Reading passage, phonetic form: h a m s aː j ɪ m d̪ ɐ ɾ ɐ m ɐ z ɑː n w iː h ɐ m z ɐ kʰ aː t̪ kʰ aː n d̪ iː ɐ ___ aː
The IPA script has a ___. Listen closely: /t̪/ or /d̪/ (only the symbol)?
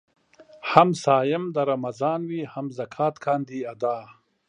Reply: d̪